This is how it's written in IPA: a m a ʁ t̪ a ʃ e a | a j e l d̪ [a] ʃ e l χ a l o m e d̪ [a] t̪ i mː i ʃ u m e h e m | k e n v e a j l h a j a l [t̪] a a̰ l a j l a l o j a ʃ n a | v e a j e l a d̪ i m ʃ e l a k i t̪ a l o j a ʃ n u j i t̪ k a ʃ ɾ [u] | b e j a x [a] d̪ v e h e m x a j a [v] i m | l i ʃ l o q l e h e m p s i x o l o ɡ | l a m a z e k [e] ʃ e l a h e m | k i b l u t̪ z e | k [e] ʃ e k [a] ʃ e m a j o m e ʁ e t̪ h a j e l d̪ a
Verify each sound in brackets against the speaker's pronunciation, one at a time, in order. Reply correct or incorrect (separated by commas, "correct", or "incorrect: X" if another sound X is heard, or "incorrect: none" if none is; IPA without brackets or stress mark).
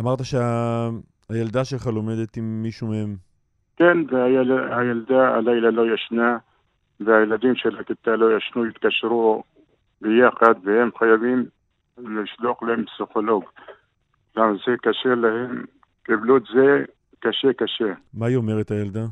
correct, incorrect: e, incorrect: d̪, correct, correct, correct, incorrect: a, incorrect: a, correct